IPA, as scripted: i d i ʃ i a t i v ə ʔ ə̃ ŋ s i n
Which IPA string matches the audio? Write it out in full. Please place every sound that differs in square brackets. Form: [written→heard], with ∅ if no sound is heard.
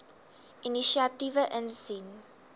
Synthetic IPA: i [d→n] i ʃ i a t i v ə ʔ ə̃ [ŋ→n] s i n